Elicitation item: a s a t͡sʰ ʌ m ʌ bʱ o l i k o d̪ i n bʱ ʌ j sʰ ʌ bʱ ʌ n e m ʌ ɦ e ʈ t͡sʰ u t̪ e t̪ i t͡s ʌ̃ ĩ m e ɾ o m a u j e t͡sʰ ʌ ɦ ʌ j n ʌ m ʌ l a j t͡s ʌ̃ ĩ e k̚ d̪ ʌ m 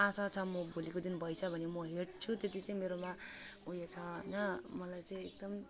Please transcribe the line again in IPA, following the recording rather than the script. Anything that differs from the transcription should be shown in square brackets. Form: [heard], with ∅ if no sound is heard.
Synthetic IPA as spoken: a s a t͡sʰ ʌ m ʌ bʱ o l i k o d̪ i n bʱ ʌ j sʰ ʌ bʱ ʌ n e m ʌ ɦ e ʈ t͡sʰ u t̪ e t̪ i t͡s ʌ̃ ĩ m e ɾ o m a u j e t͡sʰ ʌ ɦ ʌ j n ʌ m ʌ l a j t͡s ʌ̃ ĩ e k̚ d̪ ʌ m